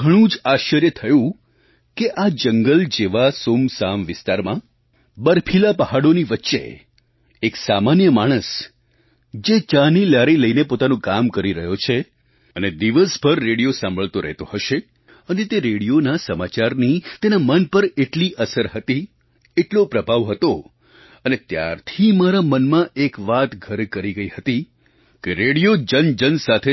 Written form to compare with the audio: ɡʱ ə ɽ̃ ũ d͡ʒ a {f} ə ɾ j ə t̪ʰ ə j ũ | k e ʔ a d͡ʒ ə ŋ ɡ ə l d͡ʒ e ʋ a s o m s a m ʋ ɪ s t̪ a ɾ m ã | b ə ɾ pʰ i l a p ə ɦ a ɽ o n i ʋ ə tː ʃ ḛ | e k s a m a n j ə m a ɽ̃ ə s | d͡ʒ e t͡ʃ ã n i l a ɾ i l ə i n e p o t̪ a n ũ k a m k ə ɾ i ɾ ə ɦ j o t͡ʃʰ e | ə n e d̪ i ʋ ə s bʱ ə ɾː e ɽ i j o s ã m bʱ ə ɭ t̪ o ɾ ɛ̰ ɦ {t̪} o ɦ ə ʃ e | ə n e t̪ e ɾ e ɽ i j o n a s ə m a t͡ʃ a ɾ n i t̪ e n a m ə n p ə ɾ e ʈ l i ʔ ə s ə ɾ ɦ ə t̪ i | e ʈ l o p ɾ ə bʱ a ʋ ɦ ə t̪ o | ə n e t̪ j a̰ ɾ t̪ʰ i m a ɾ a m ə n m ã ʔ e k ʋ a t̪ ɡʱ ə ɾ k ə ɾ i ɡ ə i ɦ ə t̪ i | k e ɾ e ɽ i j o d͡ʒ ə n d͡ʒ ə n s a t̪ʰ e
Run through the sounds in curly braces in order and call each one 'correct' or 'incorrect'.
incorrect: ʃ, correct

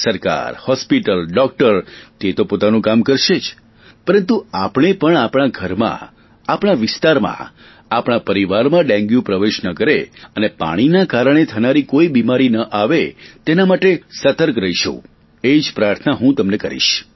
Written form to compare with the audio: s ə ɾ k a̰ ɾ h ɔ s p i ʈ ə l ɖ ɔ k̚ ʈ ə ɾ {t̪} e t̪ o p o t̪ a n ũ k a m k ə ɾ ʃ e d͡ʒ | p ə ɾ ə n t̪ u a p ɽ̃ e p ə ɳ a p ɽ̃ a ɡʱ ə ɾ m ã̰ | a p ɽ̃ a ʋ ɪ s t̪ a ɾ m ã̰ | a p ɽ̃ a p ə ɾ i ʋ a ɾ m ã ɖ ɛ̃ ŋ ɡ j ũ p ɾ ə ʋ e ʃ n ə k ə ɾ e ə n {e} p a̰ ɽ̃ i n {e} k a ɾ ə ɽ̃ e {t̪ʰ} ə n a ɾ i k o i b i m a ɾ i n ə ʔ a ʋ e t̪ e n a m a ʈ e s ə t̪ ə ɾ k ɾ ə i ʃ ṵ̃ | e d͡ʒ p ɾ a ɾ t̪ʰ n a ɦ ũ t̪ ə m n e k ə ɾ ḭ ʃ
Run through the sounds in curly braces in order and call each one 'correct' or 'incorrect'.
correct, correct, incorrect: a, correct

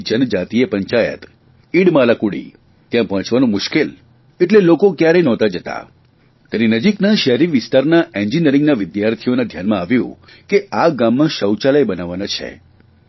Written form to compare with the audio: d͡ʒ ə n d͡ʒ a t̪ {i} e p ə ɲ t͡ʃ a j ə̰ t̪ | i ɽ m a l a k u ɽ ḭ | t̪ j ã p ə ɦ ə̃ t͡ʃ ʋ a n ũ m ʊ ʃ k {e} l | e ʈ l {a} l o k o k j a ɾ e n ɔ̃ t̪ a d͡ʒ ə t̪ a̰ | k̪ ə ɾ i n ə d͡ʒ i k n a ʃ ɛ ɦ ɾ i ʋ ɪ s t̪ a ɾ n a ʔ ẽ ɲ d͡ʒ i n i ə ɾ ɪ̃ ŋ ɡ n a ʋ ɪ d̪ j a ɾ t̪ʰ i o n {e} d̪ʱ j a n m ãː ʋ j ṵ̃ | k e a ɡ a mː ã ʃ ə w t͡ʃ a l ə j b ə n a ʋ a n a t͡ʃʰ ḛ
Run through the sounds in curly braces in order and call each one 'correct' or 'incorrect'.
correct, correct, incorrect: e, incorrect: a

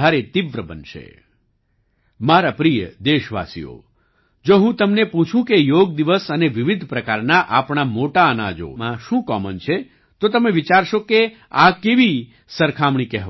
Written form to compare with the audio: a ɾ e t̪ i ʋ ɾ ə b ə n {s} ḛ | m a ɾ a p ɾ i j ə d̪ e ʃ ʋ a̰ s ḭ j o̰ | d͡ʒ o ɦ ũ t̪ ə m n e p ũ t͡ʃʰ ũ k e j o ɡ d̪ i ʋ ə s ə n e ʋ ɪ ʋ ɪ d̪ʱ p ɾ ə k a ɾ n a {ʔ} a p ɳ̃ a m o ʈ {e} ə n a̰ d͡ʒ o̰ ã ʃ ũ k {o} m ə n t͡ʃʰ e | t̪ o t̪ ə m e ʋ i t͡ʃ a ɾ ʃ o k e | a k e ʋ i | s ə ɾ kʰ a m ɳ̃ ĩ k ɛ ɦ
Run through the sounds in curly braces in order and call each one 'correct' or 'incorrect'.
incorrect: ʃ, correct, incorrect: a, incorrect: ɔ

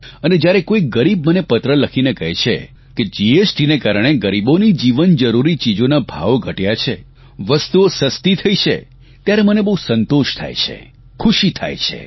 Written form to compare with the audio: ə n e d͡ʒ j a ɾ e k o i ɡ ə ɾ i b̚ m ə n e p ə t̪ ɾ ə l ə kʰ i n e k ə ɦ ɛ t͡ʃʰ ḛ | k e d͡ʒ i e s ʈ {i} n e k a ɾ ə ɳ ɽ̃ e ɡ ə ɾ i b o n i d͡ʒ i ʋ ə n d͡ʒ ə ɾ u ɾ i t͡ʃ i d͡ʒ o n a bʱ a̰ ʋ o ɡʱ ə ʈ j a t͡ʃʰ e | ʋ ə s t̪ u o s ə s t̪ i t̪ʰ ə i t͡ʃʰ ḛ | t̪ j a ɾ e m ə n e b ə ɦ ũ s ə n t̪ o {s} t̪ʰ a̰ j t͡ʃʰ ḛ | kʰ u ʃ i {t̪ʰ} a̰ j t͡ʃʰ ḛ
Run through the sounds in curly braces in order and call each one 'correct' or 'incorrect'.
correct, incorrect: ʃ, correct

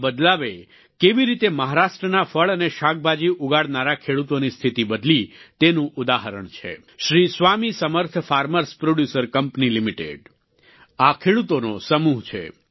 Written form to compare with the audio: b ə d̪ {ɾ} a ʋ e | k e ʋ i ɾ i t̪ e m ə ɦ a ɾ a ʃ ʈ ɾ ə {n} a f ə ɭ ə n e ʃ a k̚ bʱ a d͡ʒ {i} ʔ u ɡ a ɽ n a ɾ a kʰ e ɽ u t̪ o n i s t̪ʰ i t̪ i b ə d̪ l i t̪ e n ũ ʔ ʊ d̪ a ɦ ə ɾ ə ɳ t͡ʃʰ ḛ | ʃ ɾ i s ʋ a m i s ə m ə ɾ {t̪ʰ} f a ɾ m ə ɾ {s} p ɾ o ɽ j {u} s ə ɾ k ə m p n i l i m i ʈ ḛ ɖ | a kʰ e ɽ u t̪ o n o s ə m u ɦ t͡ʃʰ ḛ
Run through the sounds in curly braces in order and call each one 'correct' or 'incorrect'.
incorrect: l, correct, correct, correct, correct, correct

